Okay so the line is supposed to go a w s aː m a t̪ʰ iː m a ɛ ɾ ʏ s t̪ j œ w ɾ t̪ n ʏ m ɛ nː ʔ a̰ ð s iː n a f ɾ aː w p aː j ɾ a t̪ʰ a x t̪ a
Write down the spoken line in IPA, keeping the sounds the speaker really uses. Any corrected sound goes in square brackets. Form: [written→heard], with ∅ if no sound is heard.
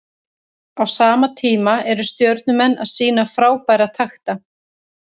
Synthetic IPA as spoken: a w s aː m a t̪ʰ iː m a ɛ ɾ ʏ s t̪ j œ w ɾ t̪ n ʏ m ɛ nː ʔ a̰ ð s iː n a f ɾ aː w p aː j ɾ a t̪ʰ a x t̪ a